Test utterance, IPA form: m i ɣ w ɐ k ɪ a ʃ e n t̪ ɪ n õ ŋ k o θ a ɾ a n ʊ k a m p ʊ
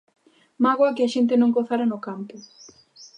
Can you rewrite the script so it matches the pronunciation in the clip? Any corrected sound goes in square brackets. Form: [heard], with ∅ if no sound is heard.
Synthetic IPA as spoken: m [a] ɣ w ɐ k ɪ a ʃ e n t̪ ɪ n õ ŋ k o θ a ɾ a n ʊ k a m p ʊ